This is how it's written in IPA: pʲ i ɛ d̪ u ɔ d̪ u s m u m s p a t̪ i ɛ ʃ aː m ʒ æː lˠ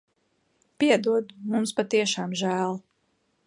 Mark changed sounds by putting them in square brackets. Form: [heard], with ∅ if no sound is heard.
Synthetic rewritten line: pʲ i ɛ d̪ u ɔ d̪ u [∅] m u m s p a t̪ i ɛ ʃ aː m ʒ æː lˠ